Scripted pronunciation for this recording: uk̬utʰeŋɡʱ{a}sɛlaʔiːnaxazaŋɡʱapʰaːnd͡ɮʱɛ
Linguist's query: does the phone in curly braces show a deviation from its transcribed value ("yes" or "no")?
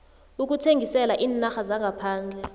yes